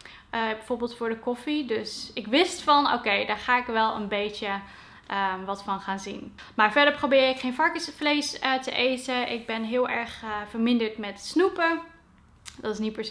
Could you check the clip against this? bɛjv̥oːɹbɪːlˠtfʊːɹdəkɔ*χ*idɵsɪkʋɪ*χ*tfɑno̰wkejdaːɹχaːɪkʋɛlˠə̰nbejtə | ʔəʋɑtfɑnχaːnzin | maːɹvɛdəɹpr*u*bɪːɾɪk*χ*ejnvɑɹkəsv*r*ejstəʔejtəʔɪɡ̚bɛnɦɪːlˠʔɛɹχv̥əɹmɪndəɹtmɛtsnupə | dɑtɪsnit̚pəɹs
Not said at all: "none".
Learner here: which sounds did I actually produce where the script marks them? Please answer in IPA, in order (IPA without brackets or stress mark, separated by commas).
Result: f, s, o, χ, l